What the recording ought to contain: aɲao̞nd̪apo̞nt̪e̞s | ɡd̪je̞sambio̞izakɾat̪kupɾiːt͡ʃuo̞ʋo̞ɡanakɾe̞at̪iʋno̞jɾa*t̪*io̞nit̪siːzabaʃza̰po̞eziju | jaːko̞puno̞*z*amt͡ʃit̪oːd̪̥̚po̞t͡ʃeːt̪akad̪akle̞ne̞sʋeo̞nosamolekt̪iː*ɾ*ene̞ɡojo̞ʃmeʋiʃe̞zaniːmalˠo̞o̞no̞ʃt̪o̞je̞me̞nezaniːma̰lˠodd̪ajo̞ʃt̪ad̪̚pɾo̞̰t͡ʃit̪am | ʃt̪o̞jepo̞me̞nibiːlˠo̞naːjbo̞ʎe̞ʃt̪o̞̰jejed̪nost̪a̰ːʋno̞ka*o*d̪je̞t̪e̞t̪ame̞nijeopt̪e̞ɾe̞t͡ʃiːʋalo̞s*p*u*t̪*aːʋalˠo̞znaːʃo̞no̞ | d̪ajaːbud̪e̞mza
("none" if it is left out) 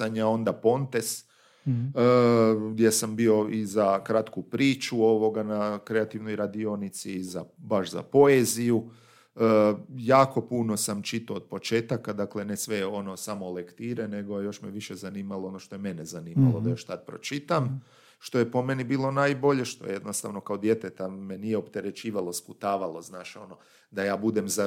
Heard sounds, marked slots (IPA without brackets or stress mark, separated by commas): d̪, s, ɾ, o, p, t̪